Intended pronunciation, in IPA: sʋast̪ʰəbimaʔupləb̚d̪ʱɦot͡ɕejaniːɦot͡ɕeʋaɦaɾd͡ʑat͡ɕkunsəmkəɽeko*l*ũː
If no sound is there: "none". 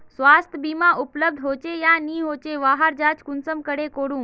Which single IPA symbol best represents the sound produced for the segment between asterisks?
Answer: ɽ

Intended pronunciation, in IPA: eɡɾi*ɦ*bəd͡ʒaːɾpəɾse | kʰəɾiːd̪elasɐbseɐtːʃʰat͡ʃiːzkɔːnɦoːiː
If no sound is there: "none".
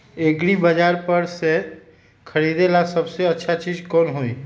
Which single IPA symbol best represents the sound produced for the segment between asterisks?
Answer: none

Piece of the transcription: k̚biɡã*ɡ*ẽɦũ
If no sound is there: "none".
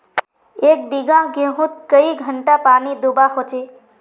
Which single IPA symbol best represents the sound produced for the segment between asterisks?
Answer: ɡ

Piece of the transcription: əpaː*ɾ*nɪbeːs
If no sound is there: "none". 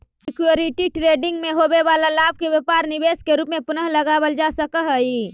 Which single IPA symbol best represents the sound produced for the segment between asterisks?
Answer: ɾ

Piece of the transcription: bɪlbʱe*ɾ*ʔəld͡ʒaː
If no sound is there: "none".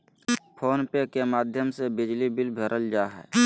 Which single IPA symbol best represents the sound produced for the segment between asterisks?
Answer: ɾ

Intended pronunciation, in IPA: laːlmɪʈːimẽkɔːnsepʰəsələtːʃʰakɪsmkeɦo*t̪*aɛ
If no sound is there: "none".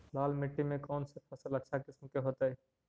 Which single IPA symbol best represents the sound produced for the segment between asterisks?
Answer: t̪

